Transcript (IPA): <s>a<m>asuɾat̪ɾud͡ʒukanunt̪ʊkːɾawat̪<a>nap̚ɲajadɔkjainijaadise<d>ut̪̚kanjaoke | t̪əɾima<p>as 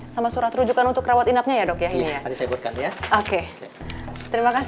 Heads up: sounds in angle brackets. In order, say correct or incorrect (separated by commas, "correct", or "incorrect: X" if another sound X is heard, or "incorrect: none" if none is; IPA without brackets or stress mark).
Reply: correct, correct, incorrect: i, incorrect: b, incorrect: k